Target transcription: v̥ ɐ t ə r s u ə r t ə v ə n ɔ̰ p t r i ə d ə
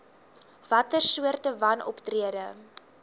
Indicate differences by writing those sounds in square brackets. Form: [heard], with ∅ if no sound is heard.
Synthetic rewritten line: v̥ ɐ t ə r s u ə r t ə v [ɐ] n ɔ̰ p t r i ə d ə